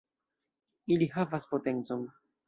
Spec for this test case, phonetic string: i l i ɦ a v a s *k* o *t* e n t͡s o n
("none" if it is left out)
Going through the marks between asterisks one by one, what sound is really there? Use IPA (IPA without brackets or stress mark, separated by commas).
p, t